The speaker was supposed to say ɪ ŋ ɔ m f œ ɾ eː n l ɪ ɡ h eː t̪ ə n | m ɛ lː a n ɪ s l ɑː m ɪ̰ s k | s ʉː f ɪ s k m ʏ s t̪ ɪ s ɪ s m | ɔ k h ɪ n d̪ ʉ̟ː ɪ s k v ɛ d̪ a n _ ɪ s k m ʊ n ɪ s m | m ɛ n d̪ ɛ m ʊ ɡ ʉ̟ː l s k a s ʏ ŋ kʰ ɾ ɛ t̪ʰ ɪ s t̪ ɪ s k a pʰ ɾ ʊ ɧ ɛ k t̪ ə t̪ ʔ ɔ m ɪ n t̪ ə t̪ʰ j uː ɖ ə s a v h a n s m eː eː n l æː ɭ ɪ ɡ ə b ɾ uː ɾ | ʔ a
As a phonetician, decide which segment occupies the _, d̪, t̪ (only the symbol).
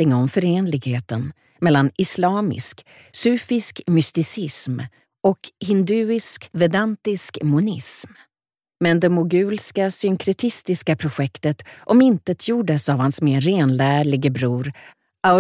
t̪